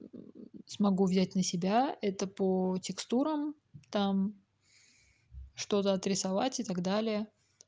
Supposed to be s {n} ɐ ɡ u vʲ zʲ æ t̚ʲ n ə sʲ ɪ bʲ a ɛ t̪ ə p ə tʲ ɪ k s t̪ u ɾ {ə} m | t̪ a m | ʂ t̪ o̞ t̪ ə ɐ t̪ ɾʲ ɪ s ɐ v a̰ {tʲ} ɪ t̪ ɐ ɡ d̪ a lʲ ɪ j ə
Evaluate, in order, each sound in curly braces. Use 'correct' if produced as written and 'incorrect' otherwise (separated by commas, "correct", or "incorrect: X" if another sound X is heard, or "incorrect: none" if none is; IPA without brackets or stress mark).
incorrect: m, correct, correct